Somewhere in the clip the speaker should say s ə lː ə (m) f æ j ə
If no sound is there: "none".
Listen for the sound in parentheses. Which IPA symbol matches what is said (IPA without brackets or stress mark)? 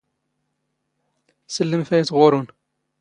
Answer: m